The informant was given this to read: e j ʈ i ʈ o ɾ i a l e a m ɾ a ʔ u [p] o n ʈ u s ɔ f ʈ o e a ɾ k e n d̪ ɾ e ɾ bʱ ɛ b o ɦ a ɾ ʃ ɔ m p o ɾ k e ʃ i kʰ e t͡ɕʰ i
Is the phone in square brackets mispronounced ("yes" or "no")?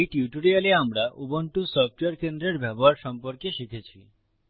yes